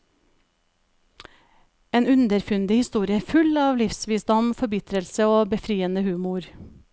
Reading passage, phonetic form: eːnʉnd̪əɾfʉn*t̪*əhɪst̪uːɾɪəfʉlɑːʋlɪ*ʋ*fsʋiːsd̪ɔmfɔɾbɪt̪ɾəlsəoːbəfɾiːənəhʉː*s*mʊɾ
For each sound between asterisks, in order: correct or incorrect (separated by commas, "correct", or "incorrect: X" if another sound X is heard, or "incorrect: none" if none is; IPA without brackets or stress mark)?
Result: incorrect: d̪, incorrect: none, incorrect: none